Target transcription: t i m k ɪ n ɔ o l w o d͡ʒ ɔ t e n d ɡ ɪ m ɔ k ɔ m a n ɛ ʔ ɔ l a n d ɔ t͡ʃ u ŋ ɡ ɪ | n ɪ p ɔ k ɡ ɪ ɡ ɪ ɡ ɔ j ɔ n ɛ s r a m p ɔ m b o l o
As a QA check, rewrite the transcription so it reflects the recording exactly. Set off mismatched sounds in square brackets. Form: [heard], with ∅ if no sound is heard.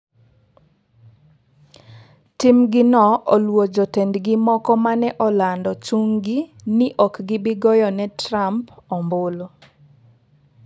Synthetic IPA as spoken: t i m [ɡ] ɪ n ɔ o l w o d͡ʒ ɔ t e n d ɡ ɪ m ɔ k ɔ m a n ɛ ʔ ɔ l a n d ɔ t͡ʃ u ŋ ɡ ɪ | n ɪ [ʔ] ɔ k ɡ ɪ [b] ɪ ɡ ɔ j ɔ n ɛ [t] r a m p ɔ m b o l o